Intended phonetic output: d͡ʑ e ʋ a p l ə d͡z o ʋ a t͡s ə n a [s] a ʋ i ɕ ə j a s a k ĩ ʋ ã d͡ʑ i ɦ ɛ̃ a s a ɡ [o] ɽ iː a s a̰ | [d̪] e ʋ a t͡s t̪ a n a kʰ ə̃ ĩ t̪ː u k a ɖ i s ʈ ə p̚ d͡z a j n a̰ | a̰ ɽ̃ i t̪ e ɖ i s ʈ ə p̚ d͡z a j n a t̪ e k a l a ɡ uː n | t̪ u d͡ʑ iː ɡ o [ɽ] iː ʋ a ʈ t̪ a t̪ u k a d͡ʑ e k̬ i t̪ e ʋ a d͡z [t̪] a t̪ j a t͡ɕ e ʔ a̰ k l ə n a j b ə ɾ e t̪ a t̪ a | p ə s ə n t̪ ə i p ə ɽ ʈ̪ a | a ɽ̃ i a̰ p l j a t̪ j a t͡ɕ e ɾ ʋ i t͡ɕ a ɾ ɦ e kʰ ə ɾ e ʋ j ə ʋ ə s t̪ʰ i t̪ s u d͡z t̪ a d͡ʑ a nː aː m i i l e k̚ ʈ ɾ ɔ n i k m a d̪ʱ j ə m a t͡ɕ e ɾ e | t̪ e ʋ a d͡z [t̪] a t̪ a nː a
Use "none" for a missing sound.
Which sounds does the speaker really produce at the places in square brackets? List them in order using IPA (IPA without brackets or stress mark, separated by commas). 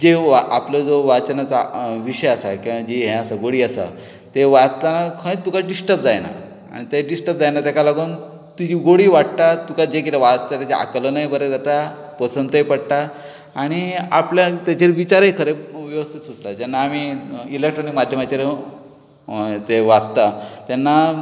t͡s, o, t̪, ɽ, t̪, t̪